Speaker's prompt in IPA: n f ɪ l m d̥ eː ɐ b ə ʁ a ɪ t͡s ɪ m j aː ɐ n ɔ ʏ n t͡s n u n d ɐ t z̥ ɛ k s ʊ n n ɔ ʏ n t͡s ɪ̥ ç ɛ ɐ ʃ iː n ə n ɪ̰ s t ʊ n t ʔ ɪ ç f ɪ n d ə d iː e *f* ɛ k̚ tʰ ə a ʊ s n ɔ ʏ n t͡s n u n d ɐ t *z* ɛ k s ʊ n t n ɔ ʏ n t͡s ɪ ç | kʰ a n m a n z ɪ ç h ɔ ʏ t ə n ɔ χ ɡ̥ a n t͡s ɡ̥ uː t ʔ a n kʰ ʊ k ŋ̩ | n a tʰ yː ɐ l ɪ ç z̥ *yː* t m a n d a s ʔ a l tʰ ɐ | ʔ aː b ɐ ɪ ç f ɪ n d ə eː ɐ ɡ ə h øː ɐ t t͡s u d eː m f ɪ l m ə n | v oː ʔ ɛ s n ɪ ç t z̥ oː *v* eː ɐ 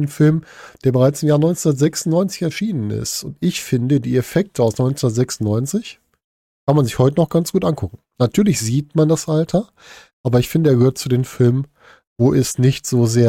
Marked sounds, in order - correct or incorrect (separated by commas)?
correct, correct, incorrect, incorrect